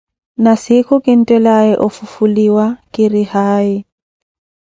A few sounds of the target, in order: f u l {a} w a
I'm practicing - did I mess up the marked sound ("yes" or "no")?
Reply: yes